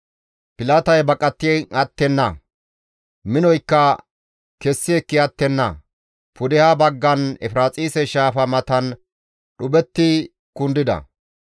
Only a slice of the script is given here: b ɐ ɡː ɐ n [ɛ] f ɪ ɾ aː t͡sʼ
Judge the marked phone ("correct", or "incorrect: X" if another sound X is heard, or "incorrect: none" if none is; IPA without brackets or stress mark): correct